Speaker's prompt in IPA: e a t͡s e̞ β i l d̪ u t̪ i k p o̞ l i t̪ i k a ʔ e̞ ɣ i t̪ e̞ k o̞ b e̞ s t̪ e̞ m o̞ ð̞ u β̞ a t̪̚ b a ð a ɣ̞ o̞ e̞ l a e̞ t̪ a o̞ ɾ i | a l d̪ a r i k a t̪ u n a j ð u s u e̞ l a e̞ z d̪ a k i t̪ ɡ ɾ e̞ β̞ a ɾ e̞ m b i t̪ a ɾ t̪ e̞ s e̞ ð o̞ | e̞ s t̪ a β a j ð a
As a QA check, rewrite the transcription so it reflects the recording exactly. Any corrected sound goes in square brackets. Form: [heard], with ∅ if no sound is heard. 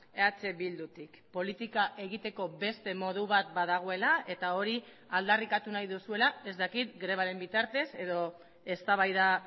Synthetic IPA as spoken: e a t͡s e̞ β i l d̪ u t̪ i k p o̞ l i t̪ i k a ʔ e̞ ɣ i t̪ e̞ k o̞ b e̞ s t̪ e̞ m o̞ ð̞ u β̞ a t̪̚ b a ð a ɣ̞ o̞ e̞ l a e̞ t̪ a o̞ ɾ i | a l d̪ a r i k a t̪ u n a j ð u s u e̞ l a e̞ z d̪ a k i t̪ ɡ ɾ e̞ β̞ a ɾ e̞ m b i t̪ a ɾ t̪ e̞ s e̞ ð o̞ | e̞ s t̪ a β a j ð a

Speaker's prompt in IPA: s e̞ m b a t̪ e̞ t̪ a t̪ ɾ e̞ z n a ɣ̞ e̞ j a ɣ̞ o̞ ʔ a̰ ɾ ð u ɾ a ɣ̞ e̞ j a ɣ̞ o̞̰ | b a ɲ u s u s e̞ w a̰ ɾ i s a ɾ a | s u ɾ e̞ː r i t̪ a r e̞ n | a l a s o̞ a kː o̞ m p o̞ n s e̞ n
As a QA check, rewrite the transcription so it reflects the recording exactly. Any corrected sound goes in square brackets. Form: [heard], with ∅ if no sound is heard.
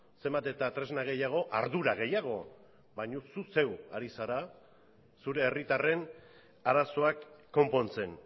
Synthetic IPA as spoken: s e̞ m b a t̪ e̞ t̪ a t̪ ɾ e̞ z n a ɣ̞ e̞ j a ɣ̞ o̞ ʔ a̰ ɾ ð u ɾ a ɣ̞ e̞ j a ɣ̞ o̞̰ | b a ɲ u s u s e̞ w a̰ ɾ i s a ɾ a | s u ɾ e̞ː r i t̪ a r e̞ n | a [ɾ] a s o̞ a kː o̞ m p o̞ n [t͡s] e̞ n

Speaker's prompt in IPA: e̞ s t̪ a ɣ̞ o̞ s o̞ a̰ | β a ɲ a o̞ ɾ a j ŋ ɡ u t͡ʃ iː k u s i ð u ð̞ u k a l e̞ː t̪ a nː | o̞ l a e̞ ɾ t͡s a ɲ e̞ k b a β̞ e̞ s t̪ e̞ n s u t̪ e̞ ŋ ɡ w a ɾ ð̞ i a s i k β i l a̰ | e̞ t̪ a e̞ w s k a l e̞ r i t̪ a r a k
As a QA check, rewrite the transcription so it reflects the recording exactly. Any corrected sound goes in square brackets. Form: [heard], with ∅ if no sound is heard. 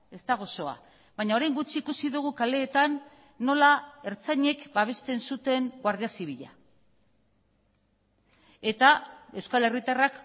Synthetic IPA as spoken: e̞ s t̪ a ɣ̞ o̞ s o̞ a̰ | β a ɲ a o̞ ɾ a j ŋ ɡ u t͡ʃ iː k u s i ð u [ɣ̞] u k a l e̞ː t̪ a nː | o̞ l a e̞ ɾ t͡s a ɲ e̞ k b a β̞ e̞ s t̪ e̞ n s u t̪ e̞ ŋ ɡ w a ɾ ð̞ i a s i [∅] β i [ʎ] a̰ | e̞ t̪ a e̞ w s k a l e̞ r i t̪ a r a k

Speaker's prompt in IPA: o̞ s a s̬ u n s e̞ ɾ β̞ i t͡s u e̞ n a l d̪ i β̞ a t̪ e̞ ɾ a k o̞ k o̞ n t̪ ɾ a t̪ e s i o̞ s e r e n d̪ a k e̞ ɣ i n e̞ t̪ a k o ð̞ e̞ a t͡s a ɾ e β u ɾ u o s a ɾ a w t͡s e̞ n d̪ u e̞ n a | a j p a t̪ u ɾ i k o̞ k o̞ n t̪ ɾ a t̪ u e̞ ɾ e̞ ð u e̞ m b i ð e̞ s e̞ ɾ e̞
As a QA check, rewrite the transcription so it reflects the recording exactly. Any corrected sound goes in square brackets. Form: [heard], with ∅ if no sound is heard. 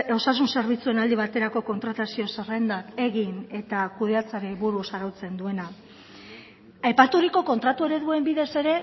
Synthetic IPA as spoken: o̞ s a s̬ u n s e̞ ɾ β̞ i t͡s u e̞ n a l d̪ i β̞ a t̪ e̞ ɾ a k o̞ k o̞ n t̪ ɾ a t̪ [a] s i o̞ s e r e n d̪ a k e̞ ɣ i n e̞ t̪ a k [u] ð̞ e̞ a t͡s a ɾ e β u ɾ u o s a ɾ a w t͡s e̞ n d̪ u e̞ n a | a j p a t̪ u ɾ i k o̞ k o̞ n t̪ ɾ a t̪ u e̞ ɾ e̞ ð u e̞ m b i ð e̞ s e̞ ɾ e̞

